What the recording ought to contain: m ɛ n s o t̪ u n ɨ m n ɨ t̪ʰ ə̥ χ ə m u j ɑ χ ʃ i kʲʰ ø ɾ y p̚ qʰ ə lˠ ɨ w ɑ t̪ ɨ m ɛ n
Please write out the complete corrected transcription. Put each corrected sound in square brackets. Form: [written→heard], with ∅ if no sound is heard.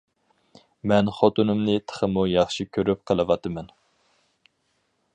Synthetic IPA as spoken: m ɛ n [s→χ] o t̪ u n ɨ m n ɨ t̪ʰ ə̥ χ ə m u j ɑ χ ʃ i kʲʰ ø ɾ y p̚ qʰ ə lˠ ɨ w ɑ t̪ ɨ m ɛ n